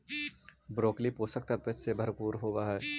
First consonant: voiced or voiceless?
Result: voiced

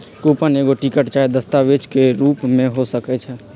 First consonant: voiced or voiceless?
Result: voiceless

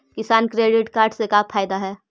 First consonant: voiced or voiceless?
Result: voiceless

